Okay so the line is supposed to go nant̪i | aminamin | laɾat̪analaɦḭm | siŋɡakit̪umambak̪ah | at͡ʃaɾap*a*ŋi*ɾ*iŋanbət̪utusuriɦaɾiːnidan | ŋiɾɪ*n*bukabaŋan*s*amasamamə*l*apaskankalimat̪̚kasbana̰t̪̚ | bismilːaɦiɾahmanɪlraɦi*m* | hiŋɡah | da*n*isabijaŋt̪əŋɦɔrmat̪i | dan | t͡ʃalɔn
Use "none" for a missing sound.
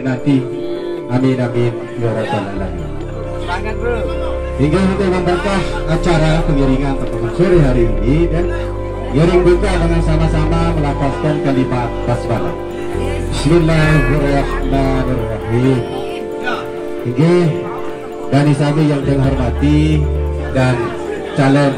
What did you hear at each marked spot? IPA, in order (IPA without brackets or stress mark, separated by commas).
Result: ə, ɾ, ŋ, s, l, m, n